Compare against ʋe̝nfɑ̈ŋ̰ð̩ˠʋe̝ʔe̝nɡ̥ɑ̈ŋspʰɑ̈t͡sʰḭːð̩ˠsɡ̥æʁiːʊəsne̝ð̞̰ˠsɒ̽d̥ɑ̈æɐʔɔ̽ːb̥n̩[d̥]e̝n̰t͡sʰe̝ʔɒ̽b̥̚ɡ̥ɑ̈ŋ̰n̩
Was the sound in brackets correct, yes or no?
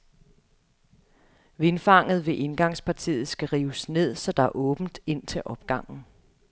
yes